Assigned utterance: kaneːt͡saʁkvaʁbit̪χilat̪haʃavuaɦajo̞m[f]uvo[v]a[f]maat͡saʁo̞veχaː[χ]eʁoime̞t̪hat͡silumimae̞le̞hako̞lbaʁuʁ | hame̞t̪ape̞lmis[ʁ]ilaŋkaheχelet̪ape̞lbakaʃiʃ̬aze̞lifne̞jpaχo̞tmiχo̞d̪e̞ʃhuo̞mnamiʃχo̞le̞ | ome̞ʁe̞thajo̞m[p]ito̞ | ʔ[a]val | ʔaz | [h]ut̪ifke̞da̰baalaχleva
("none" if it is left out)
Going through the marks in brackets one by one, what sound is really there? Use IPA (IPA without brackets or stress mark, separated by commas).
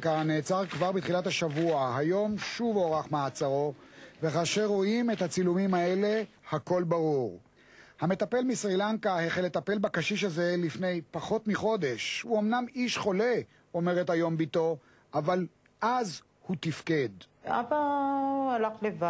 ʃ, ʁ, χ, ʃ, ʁ, b, a, h